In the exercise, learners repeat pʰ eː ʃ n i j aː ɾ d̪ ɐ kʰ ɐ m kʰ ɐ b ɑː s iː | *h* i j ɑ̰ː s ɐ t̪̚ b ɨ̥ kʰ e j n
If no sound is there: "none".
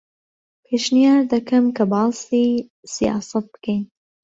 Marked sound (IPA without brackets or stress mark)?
s